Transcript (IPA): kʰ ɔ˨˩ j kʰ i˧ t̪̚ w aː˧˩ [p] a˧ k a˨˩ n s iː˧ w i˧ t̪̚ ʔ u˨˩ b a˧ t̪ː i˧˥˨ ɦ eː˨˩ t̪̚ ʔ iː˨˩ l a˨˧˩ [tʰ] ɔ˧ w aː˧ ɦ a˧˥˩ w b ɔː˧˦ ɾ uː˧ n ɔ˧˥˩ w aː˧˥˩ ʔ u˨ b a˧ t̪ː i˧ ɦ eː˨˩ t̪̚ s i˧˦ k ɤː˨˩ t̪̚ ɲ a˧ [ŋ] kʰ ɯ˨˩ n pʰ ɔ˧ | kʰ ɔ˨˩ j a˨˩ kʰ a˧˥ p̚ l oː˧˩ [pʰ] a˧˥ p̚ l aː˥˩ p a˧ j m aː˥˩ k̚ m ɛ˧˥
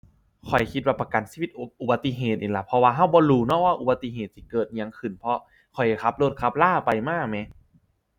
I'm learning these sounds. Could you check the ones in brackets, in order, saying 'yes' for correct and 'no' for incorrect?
yes, no, yes, no

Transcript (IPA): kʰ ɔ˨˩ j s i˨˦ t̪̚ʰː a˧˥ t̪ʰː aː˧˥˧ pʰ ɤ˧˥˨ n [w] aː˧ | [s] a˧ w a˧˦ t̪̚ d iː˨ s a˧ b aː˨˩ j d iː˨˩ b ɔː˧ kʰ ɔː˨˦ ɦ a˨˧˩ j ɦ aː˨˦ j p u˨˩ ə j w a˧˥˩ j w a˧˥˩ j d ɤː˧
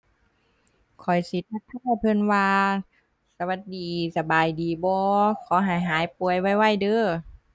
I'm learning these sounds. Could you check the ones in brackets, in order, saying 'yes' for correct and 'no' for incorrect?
yes, yes

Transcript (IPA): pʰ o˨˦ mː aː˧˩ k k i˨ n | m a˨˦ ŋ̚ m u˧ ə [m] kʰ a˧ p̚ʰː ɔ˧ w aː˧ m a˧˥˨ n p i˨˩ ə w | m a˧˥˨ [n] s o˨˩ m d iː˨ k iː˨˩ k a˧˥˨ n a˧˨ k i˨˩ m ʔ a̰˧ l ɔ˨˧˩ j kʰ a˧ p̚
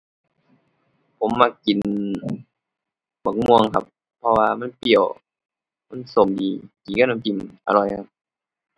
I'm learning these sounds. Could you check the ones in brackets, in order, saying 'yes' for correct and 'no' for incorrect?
no, yes

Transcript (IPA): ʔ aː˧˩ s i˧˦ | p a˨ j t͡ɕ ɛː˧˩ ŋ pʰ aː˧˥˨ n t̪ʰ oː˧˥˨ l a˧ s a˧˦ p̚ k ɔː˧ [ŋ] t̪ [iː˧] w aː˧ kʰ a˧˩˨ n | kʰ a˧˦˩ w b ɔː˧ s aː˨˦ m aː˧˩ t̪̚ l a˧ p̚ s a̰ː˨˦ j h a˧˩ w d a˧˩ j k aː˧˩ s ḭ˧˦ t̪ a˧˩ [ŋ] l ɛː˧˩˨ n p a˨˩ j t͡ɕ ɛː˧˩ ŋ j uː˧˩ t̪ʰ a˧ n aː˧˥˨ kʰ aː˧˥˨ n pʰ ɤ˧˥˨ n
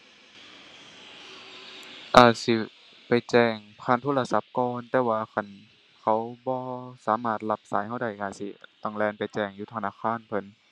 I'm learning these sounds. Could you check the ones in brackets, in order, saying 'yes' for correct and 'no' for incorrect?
no, no, yes

